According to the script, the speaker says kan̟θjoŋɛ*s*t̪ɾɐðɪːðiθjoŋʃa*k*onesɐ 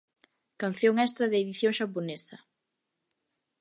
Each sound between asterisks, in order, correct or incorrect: correct, incorrect: p

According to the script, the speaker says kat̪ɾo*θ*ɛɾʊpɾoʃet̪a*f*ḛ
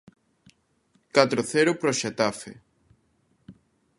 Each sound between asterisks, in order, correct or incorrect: correct, correct

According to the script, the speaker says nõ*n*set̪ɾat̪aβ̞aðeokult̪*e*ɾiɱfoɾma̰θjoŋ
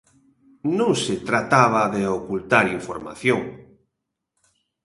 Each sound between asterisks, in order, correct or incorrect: incorrect: ŋ, incorrect: a

